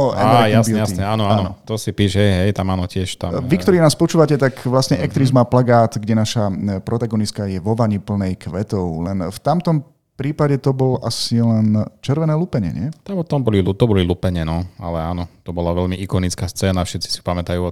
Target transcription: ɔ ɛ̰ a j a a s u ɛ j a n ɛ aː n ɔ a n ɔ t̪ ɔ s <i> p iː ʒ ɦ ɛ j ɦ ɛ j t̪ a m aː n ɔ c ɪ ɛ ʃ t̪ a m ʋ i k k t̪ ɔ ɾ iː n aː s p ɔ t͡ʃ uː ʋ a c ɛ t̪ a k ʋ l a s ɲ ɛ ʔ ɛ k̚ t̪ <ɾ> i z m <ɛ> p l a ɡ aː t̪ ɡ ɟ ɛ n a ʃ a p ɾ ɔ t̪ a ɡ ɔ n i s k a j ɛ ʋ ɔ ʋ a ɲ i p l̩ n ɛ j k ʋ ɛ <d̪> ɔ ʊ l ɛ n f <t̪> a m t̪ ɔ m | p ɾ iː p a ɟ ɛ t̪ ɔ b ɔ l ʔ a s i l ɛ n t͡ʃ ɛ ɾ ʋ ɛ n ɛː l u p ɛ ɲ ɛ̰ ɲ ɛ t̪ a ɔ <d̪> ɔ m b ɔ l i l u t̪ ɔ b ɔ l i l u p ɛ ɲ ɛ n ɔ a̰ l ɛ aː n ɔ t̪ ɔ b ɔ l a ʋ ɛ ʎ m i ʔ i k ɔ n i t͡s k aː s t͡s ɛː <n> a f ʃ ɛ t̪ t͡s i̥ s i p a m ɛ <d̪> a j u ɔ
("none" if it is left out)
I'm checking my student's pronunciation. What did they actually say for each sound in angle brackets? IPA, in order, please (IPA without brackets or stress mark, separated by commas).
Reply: i, ɾ, a, t̪, t̪, t̪, n, t̪